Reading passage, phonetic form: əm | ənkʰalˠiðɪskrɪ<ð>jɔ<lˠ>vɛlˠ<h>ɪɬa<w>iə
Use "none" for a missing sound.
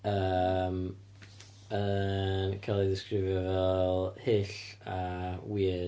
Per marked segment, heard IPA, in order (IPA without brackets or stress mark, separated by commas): v, none, h, w